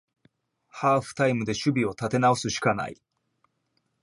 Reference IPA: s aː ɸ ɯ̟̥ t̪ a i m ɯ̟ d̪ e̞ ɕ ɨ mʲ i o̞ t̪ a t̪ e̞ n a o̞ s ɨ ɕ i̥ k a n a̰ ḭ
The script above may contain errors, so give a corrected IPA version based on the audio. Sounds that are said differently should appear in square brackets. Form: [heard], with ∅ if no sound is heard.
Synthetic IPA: [h] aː ɸ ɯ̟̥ t̪ a i m ɯ̟ d̪ e̞ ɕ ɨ [bʲ] i o̞ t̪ a t̪ e̞ n a o̞ s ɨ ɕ i̥ k a n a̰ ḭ